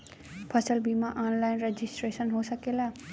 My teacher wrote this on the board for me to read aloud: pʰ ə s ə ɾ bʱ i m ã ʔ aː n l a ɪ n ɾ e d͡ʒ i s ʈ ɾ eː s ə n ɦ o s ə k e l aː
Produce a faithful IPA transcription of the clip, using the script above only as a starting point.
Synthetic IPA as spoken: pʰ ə s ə l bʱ i m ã ʔ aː n l a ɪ n ɾ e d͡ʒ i s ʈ ɾ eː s ə n ɦ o s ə k e l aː